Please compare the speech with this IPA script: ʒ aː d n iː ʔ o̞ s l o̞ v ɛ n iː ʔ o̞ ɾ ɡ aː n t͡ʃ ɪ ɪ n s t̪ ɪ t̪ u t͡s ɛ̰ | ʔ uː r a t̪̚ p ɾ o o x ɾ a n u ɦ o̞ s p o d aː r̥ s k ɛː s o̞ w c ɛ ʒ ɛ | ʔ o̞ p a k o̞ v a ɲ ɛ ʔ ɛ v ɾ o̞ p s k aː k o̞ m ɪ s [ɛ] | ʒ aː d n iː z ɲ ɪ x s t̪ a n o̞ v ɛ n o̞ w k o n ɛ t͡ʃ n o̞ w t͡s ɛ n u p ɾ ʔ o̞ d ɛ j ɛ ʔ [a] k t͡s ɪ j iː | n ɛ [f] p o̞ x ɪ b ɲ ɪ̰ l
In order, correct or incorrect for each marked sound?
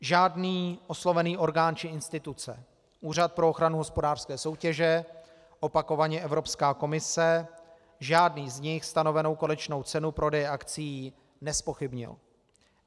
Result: correct, correct, incorrect

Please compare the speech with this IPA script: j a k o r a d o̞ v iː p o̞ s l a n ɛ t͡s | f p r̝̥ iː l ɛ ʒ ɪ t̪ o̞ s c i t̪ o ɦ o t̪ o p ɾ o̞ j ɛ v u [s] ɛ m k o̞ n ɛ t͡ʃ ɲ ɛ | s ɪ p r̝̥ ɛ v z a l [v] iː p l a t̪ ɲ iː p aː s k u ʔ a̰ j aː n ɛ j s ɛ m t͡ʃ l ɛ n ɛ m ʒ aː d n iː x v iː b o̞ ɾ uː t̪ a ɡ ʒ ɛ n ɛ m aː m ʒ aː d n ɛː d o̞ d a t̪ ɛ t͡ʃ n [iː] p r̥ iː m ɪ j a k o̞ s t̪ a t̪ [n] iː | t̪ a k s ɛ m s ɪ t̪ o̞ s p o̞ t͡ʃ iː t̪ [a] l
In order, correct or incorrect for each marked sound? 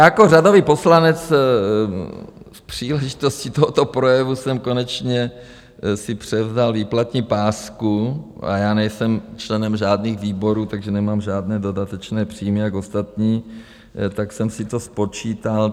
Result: correct, correct, incorrect, incorrect, correct

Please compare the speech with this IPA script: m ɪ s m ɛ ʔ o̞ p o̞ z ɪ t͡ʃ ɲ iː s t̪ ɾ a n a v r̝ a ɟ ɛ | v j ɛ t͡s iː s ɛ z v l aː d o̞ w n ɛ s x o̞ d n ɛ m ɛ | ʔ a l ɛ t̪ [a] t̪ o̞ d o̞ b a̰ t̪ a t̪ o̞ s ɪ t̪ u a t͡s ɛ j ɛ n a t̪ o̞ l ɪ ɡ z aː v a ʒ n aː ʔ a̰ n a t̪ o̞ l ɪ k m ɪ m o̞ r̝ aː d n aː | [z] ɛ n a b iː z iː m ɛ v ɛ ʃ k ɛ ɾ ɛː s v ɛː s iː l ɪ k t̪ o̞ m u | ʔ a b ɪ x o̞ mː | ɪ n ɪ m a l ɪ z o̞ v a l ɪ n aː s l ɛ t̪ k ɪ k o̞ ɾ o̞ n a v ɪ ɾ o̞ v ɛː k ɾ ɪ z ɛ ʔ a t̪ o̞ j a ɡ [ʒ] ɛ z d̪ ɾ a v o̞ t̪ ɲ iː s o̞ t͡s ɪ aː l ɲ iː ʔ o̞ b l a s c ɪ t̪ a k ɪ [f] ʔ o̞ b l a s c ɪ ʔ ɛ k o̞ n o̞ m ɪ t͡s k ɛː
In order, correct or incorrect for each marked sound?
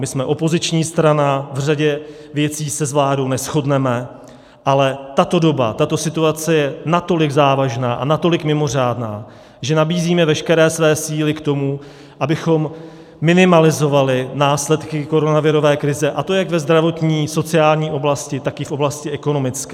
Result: correct, incorrect, incorrect, correct

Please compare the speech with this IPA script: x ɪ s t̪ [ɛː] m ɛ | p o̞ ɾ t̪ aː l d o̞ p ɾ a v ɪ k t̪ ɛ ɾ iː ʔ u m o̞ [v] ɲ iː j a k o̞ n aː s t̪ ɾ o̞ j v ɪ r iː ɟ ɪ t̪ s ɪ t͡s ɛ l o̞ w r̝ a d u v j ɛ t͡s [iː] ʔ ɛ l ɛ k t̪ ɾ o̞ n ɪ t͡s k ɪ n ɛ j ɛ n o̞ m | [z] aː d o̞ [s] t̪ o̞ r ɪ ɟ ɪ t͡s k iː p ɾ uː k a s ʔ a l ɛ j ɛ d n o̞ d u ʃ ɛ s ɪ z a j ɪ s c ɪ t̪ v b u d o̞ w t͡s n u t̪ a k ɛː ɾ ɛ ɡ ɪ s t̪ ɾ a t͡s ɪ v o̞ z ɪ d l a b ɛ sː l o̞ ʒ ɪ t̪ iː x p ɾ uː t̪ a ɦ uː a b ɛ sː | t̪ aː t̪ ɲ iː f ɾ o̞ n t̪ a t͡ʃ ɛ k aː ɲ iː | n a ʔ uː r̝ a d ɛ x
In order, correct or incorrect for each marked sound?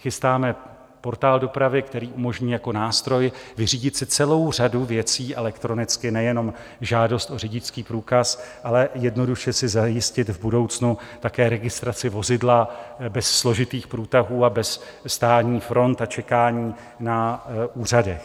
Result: incorrect, incorrect, correct, incorrect, correct

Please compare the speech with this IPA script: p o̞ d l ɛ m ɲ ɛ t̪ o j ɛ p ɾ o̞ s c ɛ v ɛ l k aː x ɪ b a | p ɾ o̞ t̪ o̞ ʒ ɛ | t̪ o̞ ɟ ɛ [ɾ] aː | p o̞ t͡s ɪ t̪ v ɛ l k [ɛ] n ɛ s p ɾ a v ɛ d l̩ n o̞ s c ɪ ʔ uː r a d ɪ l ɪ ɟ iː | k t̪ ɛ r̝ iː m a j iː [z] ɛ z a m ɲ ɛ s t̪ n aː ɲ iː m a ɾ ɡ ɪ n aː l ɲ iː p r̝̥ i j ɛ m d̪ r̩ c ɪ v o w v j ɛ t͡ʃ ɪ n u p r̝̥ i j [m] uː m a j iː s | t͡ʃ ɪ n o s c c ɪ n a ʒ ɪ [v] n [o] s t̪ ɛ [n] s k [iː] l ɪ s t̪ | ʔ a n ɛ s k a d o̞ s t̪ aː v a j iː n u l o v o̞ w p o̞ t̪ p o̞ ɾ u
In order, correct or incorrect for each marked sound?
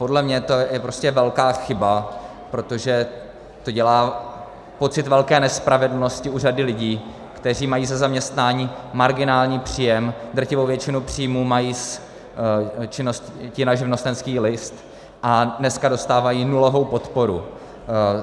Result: incorrect, incorrect, correct, correct, correct, correct, correct, correct

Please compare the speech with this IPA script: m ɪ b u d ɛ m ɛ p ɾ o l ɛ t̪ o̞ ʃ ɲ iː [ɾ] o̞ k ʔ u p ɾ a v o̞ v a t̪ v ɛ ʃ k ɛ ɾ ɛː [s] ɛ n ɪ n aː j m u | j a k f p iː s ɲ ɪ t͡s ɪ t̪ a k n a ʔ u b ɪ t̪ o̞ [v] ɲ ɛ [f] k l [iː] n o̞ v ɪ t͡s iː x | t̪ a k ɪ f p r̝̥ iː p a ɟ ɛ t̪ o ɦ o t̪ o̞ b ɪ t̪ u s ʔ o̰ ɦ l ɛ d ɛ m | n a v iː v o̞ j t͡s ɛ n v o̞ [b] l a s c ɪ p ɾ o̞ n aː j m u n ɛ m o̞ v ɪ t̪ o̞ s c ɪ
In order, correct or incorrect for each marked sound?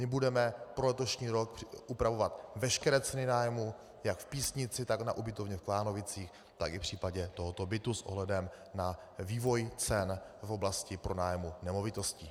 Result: correct, incorrect, correct, correct, incorrect, correct

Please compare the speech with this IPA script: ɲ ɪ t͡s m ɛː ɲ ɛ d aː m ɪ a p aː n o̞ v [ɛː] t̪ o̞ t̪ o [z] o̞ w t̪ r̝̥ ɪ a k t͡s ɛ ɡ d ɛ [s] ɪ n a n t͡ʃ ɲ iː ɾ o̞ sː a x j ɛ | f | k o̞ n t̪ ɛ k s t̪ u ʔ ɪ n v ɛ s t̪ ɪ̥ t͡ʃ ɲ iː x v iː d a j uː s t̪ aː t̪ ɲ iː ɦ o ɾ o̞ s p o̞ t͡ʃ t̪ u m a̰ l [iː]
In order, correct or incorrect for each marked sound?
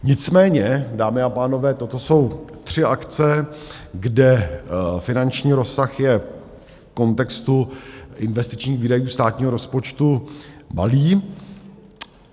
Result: correct, incorrect, incorrect, correct

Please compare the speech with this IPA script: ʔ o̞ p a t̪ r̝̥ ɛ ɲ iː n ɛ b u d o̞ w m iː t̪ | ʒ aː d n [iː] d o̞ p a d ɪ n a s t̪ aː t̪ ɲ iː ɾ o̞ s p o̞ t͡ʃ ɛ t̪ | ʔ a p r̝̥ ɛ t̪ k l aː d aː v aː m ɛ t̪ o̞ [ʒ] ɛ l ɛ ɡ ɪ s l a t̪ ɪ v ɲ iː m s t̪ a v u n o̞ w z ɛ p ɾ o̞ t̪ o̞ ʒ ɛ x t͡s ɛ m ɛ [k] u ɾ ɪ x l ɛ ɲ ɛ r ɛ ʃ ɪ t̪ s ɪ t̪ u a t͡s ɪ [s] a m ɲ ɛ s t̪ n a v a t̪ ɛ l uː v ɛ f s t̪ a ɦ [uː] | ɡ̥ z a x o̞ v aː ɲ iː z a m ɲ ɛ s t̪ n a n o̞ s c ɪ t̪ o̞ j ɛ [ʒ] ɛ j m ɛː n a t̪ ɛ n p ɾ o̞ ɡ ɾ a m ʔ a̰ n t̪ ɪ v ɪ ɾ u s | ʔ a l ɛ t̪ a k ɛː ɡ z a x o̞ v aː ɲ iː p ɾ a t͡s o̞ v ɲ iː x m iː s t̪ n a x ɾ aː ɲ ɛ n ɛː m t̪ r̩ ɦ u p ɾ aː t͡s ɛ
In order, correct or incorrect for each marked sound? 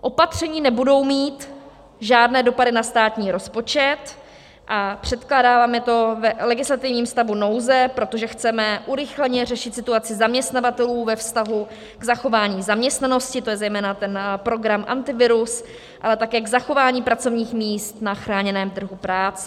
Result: incorrect, incorrect, incorrect, incorrect, incorrect, incorrect

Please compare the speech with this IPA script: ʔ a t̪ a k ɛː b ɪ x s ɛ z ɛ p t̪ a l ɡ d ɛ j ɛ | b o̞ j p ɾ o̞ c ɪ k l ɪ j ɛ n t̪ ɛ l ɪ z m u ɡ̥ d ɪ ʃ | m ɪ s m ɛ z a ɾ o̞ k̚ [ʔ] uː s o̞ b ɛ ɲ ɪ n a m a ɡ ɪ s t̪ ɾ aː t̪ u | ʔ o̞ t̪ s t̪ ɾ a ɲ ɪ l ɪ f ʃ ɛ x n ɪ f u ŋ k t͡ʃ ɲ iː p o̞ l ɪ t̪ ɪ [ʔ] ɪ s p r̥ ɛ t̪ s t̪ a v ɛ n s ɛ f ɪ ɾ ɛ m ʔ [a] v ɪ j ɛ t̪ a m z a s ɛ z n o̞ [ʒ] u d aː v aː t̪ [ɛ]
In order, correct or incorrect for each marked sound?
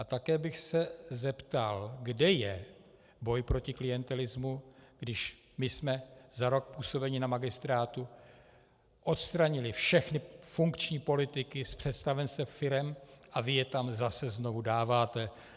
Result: incorrect, incorrect, correct, incorrect, correct

